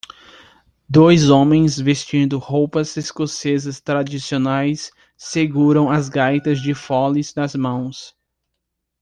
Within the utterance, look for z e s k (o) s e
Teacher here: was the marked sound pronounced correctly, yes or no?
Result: yes